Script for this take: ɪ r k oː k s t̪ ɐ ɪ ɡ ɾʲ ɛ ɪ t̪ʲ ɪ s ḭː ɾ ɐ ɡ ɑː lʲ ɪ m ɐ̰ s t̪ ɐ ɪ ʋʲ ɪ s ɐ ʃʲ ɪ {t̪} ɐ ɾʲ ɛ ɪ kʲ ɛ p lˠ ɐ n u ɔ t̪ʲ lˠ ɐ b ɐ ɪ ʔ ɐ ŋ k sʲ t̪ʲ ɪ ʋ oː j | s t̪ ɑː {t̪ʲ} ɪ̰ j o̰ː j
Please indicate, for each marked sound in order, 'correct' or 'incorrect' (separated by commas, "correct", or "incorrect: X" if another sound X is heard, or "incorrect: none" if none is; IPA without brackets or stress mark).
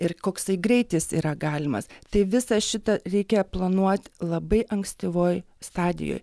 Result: correct, incorrect: d̪ʲ